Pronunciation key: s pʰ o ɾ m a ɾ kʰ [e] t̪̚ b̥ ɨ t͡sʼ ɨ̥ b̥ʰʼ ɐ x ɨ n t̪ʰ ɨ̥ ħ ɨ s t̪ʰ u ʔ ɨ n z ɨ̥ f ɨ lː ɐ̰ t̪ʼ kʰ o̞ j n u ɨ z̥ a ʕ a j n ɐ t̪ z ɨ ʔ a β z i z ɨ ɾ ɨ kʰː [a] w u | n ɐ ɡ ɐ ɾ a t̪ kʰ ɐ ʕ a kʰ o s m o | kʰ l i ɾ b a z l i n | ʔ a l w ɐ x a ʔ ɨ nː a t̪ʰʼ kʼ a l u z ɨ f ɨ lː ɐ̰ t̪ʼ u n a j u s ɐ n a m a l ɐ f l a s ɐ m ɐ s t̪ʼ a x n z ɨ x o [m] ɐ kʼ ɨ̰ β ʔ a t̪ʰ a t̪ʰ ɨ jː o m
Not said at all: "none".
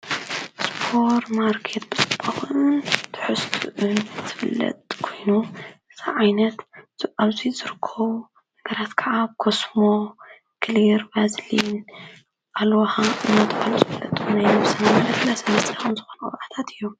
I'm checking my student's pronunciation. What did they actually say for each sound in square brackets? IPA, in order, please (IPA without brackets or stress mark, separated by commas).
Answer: e, ɐ, n